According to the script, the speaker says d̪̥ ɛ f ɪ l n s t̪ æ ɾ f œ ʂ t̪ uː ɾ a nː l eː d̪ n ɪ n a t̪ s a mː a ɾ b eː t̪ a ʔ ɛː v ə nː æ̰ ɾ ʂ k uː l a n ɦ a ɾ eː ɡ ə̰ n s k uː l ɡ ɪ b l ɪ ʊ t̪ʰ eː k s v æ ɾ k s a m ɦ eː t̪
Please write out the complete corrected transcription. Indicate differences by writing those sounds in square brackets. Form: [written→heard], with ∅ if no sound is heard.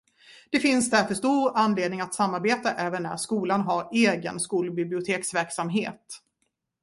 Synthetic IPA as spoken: d̪̥ ɛ f ɪ [l→∅] n s [t̪→d̪] æ ɾ f œ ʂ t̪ uː ɾ a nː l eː d̪ n ɪ [n→ŋ] a t̪ s a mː a ɾ b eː t̪ a ʔ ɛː v ə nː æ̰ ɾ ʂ k uː l a n ɦ a ɾ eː ɡ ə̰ n s k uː l [ɡ→b] ɪ b l ɪ ʊ t̪ʰ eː k s v æ ɾ k s a m ɦ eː t̪